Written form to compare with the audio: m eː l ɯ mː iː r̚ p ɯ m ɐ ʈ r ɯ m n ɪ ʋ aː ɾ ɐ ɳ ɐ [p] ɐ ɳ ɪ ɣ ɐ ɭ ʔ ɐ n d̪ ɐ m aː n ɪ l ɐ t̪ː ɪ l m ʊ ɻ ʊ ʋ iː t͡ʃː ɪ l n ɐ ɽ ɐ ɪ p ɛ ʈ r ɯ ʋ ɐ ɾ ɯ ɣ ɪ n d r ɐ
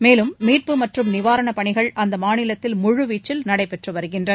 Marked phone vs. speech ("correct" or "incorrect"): correct